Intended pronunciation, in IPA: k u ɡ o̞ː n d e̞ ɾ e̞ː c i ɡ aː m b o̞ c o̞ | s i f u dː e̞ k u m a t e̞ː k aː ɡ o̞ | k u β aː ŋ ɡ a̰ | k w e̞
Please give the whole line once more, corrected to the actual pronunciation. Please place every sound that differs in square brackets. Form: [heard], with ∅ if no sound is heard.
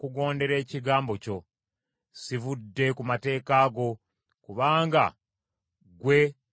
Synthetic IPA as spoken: k u ɡ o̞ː n d e̞ ɾ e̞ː c i ɡ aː m b o̞ c o̞ | s i [v] u dː e̞ k u m a t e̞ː k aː ɡ o̞ | k u β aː ŋ ɡ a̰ | [ɡ] w e̞